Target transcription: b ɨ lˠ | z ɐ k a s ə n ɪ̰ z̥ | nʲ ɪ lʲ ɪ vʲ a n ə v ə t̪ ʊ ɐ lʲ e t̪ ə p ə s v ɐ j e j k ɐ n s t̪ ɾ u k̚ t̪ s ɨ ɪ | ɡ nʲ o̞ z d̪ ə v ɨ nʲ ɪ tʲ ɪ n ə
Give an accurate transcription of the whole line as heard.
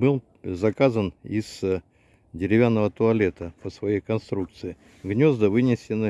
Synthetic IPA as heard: b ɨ lˠ | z ɐ k a z ə n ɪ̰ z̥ | dʲ ɪ ɾʲ ɪ vʲ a nː ə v ə t̪ ʊ ɐ lʲ e t̪ ə p ə s v ɐ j e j k ɐ n s t̪ ɾ u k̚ t̪ s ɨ ɪ | ɡ nʲ o̞ z d̪ ə v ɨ nʲ ɪ sʲ ɪ n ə